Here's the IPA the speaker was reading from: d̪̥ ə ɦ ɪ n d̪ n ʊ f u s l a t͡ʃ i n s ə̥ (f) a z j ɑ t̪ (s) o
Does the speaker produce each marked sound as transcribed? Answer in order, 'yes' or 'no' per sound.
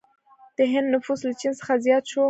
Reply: no, no

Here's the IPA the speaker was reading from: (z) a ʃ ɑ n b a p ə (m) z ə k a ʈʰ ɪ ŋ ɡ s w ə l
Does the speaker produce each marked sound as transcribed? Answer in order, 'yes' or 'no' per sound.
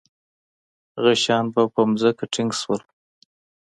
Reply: no, yes

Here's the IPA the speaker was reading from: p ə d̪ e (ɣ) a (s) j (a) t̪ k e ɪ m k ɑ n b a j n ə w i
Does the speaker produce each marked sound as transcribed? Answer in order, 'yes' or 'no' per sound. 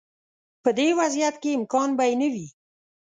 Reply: no, no, yes

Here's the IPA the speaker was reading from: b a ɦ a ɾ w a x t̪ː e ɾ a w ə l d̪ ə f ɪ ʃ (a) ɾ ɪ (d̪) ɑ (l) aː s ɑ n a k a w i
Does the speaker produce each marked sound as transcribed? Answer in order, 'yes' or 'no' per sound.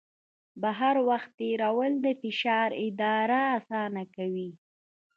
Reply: no, yes, no

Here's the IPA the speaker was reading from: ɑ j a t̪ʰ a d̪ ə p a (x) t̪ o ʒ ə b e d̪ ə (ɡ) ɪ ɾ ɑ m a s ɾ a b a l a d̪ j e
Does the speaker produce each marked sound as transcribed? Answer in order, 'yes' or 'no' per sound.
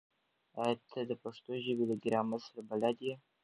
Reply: no, yes

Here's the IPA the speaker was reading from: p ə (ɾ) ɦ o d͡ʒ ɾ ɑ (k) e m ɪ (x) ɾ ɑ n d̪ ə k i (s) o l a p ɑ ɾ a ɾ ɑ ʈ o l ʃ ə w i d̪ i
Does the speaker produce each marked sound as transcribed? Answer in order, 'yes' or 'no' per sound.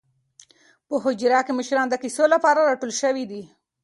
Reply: no, yes, no, yes

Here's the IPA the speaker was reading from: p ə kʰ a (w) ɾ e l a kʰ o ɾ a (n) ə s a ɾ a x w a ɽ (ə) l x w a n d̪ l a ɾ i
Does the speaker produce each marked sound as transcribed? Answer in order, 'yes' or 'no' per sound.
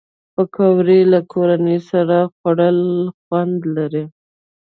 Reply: yes, yes, yes

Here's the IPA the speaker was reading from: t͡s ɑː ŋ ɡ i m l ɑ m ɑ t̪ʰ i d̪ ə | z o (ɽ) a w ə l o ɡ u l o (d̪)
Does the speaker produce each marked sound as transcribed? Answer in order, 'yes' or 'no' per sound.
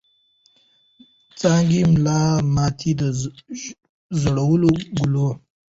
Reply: yes, no

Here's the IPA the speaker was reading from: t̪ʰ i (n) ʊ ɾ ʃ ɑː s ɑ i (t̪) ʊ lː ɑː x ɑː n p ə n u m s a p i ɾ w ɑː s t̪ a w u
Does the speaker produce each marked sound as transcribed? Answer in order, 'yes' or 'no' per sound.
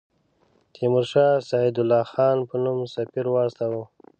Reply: no, no

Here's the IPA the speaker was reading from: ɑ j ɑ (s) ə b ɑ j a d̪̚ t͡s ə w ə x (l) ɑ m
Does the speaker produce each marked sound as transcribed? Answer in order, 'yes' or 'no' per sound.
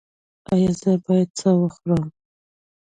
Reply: no, no

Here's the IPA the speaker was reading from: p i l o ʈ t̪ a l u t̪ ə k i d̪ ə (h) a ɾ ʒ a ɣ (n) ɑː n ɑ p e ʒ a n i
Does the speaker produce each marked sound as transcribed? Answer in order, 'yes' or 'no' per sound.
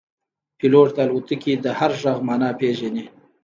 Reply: yes, no

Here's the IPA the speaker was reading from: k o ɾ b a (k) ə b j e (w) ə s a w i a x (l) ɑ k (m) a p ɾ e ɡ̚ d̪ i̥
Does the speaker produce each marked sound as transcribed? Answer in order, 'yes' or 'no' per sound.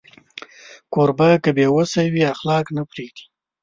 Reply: yes, yes, yes, no

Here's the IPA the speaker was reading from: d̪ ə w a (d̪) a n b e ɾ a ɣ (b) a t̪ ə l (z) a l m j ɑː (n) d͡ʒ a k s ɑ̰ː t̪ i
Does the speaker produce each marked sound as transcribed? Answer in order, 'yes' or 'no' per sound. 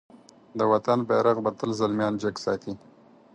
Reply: no, yes, yes, yes

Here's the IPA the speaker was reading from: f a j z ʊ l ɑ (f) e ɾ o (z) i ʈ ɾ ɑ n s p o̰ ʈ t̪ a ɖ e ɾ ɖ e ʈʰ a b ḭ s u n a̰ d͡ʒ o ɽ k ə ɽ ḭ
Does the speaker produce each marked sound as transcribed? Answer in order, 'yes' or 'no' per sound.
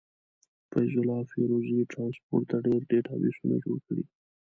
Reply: yes, yes

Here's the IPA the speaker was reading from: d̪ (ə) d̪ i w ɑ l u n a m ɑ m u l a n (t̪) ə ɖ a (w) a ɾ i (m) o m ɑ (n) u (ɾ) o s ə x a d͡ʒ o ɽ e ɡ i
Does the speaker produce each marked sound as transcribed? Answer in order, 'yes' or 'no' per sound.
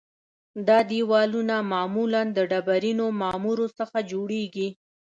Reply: no, no, no, no, no, yes

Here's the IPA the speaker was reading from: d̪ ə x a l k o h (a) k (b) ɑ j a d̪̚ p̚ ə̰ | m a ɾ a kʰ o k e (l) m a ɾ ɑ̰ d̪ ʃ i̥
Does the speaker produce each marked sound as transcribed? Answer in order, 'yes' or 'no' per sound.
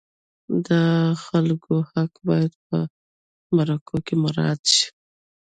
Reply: yes, yes, no

